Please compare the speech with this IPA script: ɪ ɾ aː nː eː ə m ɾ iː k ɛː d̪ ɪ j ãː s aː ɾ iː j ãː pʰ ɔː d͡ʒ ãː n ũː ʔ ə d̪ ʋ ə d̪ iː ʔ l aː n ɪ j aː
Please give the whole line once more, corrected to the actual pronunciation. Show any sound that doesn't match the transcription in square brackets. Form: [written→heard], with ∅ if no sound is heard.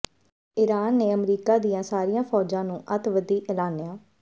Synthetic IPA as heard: ɪ ɾ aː nː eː ə m ɾ iː k [ɛː→aː] d̪ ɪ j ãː s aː ɾ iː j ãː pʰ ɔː d͡ʒ ãː n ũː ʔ ə [d̪→t̪] ʋ ə d̪ iː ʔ l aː n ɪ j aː